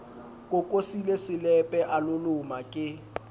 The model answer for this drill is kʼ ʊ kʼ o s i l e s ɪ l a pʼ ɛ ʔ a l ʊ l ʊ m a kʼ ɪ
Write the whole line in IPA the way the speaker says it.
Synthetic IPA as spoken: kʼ ʊ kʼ o s i l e s ɪ l ɛ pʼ ɛ ʔ a l ʊ l ʊ m a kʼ ɪ